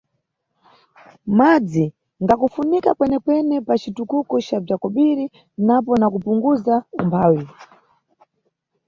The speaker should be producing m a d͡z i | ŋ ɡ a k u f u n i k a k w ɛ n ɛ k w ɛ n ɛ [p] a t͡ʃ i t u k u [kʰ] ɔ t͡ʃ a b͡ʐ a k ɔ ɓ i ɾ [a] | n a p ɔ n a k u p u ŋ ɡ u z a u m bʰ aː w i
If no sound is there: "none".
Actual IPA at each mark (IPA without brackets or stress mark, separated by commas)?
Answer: p, k, i